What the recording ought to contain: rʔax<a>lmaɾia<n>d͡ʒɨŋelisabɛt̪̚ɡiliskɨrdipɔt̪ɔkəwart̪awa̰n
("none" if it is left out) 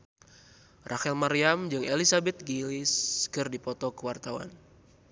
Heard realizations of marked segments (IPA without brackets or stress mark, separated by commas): ɛ, m